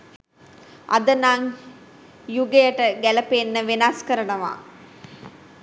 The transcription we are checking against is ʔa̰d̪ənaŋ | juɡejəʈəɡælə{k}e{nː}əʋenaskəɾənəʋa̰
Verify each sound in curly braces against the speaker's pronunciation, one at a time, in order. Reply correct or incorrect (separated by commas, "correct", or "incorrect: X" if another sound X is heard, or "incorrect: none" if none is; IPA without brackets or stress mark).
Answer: incorrect: p, correct